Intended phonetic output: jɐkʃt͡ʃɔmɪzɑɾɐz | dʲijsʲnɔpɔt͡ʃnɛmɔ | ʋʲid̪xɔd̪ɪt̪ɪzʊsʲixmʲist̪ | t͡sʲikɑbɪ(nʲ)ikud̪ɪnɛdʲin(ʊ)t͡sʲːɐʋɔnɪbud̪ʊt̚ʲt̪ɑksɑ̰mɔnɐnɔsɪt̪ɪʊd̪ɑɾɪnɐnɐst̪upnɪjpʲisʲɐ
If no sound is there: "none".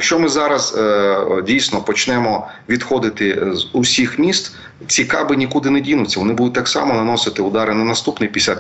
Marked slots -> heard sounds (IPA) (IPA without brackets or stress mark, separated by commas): nʲ, ʊ